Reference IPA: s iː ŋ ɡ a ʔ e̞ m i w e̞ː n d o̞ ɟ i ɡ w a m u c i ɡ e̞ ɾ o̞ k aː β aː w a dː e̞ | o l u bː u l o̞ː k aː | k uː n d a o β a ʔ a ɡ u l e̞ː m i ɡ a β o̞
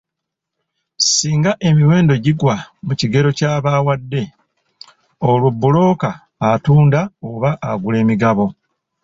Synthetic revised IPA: s iː ŋ ɡ a ʔ e̞ m i w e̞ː n d o̞ ɟ i ɡ w a m u c i ɡ e̞ ɾ o̞ c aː β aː w a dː e̞ | o l u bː u l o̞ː k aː | t uː n d a o β a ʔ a ɡ u l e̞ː m i ɡ a β o̞